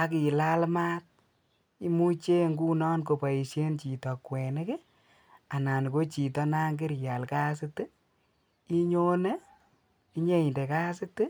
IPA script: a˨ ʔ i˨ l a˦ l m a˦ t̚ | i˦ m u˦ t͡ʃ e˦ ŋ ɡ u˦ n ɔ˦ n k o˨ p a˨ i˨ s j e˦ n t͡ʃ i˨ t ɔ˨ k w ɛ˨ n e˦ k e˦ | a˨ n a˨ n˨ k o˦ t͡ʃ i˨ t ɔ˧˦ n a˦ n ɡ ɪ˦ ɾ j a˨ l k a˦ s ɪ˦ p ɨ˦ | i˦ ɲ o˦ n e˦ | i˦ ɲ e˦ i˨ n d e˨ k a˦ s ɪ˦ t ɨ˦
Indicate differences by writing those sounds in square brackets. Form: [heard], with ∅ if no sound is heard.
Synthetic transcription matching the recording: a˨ [k] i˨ l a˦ l m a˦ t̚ | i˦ m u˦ t͡ʃ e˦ ŋ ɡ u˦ n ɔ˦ n k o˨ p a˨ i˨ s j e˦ n t͡ʃ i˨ t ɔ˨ k w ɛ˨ n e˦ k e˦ | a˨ n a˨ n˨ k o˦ t͡ʃ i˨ t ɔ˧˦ n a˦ [ŋ] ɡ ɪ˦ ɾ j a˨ l k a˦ s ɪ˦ [t] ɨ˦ | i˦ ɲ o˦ n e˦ | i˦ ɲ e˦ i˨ n d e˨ k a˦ s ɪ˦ t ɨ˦